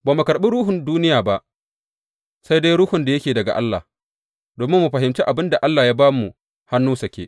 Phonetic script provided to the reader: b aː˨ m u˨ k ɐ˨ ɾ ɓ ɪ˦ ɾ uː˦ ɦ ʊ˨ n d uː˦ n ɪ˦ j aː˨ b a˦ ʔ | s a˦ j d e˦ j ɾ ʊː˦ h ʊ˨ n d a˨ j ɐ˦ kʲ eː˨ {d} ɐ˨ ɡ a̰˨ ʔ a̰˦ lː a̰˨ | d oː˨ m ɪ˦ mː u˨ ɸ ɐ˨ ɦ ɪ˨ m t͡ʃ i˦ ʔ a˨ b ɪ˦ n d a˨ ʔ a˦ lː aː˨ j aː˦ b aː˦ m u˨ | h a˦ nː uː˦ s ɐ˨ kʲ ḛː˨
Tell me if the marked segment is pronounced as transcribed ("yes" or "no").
yes